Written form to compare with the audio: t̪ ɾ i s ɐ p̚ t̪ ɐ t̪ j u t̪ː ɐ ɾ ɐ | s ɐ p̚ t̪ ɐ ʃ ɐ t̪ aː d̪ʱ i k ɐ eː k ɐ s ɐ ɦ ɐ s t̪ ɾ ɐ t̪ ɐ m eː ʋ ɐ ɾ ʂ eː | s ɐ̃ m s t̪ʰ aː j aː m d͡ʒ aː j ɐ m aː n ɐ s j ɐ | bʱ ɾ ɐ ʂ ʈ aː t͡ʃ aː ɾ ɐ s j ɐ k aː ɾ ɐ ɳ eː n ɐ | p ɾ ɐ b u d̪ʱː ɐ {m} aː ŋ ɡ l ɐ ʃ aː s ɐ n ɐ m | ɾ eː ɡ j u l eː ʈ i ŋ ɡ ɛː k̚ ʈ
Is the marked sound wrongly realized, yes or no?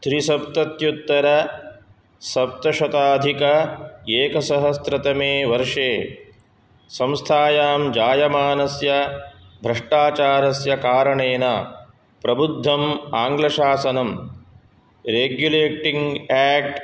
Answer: no